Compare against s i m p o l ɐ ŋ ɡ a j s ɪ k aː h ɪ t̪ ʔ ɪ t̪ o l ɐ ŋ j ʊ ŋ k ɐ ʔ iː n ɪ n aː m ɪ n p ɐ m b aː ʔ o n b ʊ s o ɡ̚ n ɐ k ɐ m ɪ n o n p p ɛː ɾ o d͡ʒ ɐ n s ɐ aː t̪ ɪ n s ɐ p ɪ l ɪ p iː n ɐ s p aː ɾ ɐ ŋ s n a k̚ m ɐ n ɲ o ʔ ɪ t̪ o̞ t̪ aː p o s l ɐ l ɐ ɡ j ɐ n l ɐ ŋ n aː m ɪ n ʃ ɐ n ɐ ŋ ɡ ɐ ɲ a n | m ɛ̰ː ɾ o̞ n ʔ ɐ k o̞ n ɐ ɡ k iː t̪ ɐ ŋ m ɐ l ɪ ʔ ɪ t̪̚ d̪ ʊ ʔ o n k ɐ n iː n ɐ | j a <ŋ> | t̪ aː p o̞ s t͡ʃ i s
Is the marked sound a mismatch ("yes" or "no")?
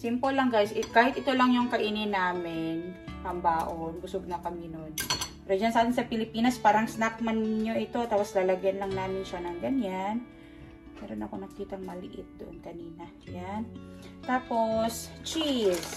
yes